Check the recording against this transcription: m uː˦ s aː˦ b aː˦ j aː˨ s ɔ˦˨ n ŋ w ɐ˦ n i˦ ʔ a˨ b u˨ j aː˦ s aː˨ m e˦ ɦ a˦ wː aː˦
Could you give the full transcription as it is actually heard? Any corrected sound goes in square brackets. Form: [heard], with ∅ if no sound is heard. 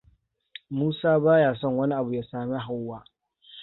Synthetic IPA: m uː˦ s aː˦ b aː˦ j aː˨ s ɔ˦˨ [∅] ŋ w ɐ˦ n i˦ ʔ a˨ b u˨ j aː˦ s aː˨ m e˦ ɦ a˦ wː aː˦